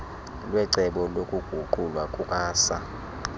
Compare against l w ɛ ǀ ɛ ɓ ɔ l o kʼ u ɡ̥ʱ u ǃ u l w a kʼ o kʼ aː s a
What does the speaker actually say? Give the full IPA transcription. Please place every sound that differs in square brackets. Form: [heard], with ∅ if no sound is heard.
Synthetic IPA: l w ɛ ǀ ɛ ɓ ɔ l o kʼ u ɡ̥ʱ u ǃ u l w a kʼ [u] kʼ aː s a